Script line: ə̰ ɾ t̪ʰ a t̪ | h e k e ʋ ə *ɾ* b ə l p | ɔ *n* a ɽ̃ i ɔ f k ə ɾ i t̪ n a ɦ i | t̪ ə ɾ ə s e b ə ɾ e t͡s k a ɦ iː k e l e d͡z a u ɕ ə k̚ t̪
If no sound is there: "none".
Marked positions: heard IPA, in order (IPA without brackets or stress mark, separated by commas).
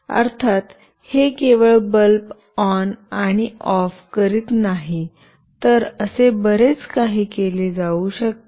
ɭ, n